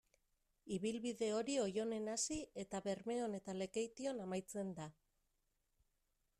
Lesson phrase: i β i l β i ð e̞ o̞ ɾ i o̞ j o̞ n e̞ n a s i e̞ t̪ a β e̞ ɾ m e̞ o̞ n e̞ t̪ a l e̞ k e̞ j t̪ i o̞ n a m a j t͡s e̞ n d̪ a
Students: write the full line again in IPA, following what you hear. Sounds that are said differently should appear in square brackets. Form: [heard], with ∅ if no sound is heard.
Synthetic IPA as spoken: i β i l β i ð e̞ o̞ ɾ i o̞ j o̞ n e̞ n a s i e̞ t̪ a β e̞ ɾ m e̞ o̞ n e̞ t̪ a l e̞ k e̞ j t̪ i o̞ n a m a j t͡s e̞ n d̪ a